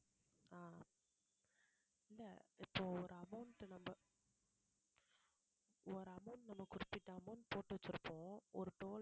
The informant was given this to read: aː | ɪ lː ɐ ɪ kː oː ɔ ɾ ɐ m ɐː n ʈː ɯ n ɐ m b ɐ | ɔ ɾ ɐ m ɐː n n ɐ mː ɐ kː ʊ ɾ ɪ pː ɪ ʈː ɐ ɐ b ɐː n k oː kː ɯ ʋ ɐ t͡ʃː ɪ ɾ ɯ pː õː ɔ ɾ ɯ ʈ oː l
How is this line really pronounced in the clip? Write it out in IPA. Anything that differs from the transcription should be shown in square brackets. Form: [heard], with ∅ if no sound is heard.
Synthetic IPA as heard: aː | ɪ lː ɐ ɪ [pː] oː ɔ ɾ ɐ m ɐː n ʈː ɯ n ɐ m b ɐ | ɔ ɾ ɐ m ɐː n n ɐ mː ɐ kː ʊ ɾ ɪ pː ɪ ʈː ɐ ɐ [m] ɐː n [p] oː [ʈː] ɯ ʋ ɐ t͡ʃː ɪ ɾ ɯ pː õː ɔ ɾ ɯ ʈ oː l